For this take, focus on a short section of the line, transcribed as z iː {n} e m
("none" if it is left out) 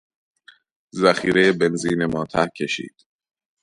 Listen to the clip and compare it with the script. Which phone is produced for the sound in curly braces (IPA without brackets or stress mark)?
n